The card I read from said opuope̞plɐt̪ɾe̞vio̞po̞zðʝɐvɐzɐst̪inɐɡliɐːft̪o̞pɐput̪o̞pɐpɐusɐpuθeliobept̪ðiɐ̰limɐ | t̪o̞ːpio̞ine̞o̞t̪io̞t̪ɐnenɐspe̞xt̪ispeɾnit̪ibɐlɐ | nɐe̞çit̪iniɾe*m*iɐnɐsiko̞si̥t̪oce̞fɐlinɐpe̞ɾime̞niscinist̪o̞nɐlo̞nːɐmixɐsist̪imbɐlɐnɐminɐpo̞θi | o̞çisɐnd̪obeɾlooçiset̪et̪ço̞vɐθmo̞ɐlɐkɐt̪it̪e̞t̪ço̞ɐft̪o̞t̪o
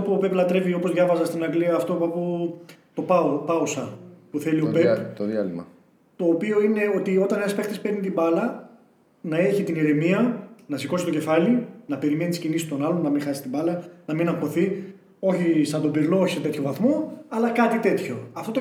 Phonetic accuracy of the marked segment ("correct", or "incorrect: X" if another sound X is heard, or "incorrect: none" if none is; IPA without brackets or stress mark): correct